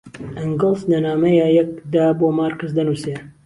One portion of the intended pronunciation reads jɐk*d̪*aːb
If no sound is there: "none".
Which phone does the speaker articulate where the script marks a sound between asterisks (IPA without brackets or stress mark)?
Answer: d̪